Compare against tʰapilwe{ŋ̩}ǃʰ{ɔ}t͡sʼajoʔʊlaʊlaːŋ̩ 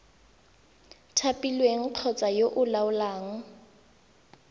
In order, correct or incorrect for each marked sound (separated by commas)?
correct, correct